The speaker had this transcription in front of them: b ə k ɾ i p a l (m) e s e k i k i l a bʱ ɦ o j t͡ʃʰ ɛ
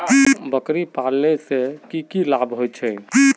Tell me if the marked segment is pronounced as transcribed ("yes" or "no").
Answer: no